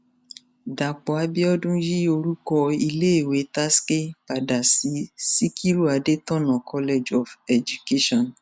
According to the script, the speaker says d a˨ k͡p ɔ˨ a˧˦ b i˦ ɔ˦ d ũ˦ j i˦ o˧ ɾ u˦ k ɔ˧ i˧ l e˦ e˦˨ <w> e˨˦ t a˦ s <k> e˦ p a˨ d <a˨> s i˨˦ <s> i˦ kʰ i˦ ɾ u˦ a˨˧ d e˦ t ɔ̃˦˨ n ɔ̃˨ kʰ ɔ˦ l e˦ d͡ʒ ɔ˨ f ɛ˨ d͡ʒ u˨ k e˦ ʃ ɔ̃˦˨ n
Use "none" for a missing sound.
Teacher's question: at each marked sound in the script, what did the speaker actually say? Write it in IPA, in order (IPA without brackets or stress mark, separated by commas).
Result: w, k, a˨, s